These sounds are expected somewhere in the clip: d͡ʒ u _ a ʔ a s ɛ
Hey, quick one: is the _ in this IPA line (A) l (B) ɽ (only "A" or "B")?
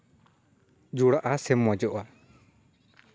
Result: B